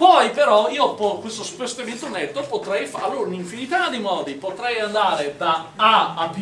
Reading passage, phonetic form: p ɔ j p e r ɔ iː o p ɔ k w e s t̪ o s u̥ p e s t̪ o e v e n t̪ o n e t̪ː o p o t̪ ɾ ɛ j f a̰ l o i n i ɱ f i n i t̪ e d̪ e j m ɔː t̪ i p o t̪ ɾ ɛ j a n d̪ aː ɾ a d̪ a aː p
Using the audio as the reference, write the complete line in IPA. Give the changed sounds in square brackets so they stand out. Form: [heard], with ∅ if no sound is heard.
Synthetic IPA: p ɔ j p e [ɾ] ɔ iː o p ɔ k w e s t̪ o s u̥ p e s t̪ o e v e n t̪ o n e t̪ː o p o t̪ ɾ ɛ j f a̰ l o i n i ɱ f i n i t̪ [a] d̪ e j m ɔː [d̪] i p o t̪ ɾ ɛ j a n d̪ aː ɾ [e] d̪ a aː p